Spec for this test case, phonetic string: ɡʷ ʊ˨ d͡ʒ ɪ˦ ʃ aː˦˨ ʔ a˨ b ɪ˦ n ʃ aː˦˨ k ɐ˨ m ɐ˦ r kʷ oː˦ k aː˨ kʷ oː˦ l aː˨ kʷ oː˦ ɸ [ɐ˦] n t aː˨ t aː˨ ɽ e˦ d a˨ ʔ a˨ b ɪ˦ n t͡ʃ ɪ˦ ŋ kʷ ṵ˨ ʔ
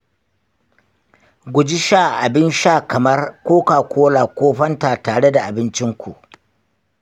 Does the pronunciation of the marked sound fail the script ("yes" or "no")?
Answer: no